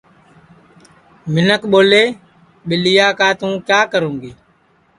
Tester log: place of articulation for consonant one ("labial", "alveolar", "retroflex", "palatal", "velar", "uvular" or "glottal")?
labial